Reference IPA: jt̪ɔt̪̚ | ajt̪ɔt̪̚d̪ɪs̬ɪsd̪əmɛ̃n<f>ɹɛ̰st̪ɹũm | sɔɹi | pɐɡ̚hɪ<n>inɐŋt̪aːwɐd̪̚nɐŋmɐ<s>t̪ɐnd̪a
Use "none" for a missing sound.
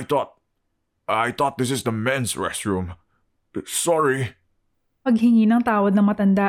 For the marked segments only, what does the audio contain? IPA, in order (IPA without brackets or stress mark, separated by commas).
s, ŋ, none